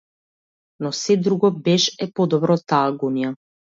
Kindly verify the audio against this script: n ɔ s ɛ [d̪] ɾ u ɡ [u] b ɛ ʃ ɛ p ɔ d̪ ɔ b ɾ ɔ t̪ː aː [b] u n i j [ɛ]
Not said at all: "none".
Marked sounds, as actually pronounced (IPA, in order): d̪, ɔ, ɡ, a

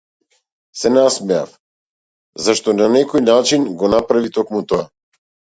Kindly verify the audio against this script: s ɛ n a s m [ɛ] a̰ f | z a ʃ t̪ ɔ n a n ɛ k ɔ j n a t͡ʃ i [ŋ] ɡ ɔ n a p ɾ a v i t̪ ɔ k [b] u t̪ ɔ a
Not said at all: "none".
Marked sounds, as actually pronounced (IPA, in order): ɛ, n, m

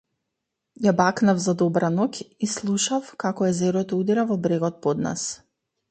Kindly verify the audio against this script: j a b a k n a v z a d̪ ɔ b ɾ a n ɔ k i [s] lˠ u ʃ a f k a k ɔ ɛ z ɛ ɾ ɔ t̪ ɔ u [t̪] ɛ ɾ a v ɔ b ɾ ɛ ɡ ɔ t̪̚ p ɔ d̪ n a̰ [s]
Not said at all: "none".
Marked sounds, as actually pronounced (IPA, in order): s, d̪, s

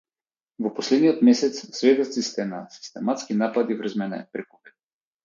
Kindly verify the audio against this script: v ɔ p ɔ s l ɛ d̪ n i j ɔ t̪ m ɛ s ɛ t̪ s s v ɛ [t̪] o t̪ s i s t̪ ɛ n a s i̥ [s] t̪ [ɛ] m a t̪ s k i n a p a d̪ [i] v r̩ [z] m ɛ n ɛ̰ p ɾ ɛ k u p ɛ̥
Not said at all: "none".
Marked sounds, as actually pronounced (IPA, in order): d̪, s, ɛ, i, z

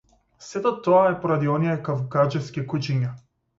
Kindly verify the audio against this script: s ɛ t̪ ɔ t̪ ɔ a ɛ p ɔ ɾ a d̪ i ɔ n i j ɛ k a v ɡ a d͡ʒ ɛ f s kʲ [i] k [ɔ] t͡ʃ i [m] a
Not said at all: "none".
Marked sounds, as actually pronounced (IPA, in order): i, u, ɲ

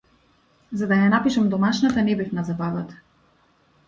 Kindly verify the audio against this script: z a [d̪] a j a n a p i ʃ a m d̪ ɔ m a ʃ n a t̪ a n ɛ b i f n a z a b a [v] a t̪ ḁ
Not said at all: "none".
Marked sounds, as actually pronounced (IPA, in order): d̪, v

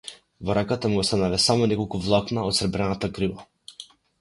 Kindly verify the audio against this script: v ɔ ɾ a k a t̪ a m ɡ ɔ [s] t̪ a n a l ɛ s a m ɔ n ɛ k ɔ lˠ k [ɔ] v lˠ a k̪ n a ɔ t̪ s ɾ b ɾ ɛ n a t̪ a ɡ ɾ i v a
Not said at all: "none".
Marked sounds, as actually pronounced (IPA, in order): s, u

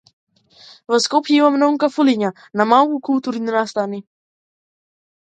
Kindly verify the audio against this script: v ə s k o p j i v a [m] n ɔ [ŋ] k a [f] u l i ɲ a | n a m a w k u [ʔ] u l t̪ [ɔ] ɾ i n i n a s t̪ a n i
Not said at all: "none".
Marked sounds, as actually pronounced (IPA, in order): m, ŋ, f, k, u

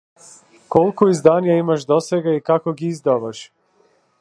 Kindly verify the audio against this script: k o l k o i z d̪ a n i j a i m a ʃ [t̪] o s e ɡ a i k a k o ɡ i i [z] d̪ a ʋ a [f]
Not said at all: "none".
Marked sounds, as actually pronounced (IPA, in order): d̪, z, ʃ

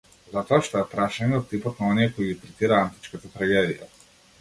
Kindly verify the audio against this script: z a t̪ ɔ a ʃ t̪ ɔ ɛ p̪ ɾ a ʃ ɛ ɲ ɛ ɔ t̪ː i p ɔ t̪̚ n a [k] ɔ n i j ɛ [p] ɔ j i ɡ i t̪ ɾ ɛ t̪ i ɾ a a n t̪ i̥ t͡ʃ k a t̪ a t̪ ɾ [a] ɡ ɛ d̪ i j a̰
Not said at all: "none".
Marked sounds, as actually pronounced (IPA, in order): none, k, a

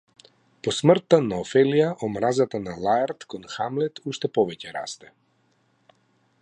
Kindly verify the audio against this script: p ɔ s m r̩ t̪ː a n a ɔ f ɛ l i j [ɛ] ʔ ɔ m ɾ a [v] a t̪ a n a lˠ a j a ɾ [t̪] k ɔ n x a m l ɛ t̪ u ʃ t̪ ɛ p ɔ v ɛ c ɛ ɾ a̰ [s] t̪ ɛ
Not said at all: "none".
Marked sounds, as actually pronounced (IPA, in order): a, z, t̪, s

